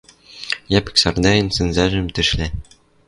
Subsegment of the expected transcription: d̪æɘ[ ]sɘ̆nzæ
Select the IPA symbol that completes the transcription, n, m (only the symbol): n